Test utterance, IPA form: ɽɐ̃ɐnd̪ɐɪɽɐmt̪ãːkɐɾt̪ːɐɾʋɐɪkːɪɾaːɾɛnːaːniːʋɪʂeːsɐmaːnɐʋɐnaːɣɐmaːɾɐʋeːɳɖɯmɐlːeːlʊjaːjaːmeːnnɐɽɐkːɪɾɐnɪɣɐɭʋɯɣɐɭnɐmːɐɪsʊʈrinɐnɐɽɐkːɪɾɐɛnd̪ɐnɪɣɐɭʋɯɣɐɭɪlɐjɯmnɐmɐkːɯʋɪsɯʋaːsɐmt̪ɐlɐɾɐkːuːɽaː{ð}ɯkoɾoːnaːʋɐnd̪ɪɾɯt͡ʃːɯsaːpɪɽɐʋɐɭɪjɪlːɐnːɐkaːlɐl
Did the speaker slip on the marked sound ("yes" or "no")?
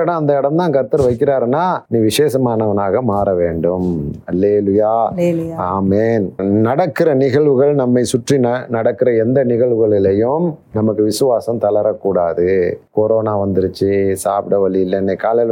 no